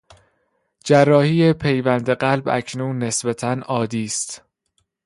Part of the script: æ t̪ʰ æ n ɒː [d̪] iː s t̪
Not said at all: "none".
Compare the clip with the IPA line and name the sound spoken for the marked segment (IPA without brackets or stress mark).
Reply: d̪